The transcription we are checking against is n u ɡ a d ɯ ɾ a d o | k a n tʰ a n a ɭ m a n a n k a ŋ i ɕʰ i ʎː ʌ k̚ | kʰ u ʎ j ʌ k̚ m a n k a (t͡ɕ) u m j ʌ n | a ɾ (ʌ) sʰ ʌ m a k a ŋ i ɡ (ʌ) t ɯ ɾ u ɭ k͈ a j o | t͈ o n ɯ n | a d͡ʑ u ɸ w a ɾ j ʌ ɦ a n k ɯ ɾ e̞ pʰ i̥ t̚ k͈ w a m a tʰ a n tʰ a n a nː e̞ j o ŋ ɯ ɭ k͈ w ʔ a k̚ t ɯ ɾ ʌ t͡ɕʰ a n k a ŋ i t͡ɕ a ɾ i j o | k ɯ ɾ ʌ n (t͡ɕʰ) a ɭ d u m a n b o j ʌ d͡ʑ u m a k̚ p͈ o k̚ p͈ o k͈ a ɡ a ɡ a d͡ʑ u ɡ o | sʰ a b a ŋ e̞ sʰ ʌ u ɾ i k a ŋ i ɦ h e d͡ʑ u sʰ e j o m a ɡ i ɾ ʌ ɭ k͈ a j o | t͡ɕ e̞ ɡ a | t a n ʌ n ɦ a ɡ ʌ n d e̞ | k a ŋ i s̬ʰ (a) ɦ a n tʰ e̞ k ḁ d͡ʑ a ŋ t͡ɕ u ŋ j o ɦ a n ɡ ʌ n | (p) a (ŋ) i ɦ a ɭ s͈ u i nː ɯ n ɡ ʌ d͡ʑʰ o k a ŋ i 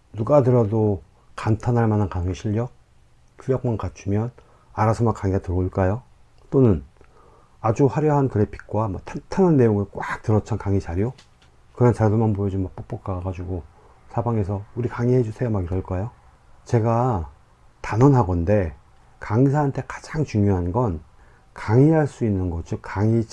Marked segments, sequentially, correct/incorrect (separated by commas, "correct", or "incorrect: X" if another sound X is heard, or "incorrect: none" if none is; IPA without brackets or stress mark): incorrect: t͡ɕʰ, incorrect: a, incorrect: a, incorrect: t͡ɕ, correct, incorrect: k, correct